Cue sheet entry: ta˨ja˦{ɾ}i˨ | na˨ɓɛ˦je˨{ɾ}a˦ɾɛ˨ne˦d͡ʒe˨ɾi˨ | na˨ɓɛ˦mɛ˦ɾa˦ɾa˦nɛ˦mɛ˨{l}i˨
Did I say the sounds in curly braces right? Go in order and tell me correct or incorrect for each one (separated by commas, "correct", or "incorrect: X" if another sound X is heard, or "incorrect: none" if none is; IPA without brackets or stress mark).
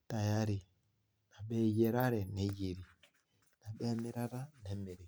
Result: correct, correct, incorrect: ɾ